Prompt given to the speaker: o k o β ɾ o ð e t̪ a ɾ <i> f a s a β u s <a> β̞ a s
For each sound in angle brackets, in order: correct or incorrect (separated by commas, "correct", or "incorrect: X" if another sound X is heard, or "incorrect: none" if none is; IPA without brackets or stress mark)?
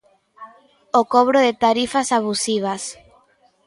correct, incorrect: i